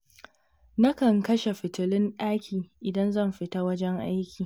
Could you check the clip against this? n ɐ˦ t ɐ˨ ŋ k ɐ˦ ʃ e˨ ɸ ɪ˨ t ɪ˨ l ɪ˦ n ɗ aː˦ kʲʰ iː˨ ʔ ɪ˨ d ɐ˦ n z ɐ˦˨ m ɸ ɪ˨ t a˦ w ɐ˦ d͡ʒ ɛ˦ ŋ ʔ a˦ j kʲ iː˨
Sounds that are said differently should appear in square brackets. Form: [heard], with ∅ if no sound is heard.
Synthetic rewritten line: n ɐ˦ [k] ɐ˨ ŋ k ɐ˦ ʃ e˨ ɸ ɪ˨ t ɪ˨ l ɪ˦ n ɗ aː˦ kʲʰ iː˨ ʔ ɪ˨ d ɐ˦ n z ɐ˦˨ m ɸ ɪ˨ t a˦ w ɐ˦ d͡ʒ ɛ˦ ŋ ʔ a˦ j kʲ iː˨